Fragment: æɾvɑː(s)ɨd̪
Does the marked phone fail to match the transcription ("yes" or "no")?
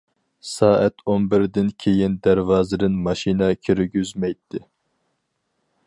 yes